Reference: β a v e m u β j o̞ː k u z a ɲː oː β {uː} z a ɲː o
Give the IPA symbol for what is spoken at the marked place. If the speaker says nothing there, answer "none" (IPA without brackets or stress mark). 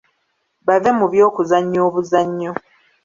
u